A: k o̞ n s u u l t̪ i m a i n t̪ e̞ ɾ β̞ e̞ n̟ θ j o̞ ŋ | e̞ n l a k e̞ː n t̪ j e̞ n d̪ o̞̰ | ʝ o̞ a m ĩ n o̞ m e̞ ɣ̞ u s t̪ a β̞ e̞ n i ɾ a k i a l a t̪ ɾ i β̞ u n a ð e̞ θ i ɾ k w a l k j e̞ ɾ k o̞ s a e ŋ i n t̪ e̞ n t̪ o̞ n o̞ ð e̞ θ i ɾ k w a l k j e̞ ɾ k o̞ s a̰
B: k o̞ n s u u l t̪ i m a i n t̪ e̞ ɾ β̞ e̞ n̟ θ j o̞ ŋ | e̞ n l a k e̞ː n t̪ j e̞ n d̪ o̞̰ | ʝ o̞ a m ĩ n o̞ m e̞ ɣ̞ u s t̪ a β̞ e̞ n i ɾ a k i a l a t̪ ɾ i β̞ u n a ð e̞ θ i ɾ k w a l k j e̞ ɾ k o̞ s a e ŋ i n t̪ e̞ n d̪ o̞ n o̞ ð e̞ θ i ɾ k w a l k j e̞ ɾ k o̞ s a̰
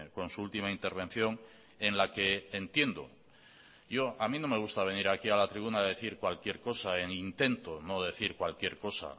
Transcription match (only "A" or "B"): A